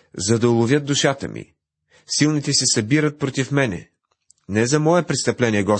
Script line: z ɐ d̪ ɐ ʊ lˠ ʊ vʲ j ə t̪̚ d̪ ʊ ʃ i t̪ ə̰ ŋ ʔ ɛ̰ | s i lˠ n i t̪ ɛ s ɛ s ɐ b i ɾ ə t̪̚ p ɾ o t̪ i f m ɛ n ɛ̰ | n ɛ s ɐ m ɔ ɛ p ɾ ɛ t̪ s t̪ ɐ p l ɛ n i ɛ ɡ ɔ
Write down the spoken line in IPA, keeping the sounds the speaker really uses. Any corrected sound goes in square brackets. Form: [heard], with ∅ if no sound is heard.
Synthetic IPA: z ɐ d̪ ɐ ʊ lˠ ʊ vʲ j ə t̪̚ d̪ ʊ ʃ [a] t̪ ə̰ [m] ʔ [ḭ] | s i lˠ n i t̪ ɛ s ɛ s ɐ b i ɾ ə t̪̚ p ɾ o t̪ i f m ɛ n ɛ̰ | n ɛ [z] ɐ m ɔ ɛ p ɾ ɛ t̪ s t̪ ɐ p l ɛ n i ɛ ɡ ɔ